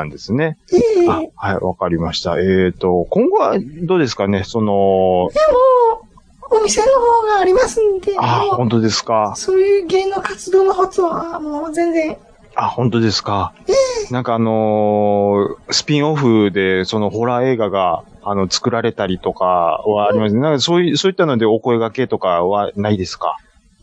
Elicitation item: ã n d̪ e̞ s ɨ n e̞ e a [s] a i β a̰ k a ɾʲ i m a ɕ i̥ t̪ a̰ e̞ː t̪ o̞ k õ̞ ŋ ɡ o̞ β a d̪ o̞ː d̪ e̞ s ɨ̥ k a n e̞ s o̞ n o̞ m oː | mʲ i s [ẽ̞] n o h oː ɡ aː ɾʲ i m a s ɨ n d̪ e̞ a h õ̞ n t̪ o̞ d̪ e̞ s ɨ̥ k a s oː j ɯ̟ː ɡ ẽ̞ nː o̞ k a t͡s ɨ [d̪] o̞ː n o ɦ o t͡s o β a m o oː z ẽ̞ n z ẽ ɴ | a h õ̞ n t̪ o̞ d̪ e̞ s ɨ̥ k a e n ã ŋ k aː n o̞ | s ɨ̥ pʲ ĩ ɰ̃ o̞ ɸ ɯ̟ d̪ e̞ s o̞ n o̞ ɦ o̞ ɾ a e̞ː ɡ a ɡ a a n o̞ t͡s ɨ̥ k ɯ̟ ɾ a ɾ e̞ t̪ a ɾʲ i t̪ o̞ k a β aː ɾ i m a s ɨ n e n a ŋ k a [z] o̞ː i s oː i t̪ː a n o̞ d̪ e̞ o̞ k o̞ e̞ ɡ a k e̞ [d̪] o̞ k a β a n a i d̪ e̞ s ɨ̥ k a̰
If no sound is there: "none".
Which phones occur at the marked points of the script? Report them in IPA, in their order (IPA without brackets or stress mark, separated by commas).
h, e̞, d̪, s, t̪